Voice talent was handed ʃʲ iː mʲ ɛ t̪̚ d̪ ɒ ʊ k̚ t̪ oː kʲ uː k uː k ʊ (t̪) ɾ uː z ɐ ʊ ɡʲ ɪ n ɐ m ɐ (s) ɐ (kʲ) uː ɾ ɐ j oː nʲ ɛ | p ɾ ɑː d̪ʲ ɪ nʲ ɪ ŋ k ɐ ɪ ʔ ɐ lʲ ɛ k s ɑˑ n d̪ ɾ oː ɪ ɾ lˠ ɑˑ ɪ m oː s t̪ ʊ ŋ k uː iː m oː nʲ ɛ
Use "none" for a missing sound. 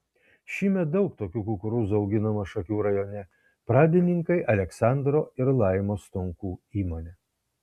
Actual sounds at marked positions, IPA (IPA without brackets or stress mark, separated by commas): none, ʃ, kʲ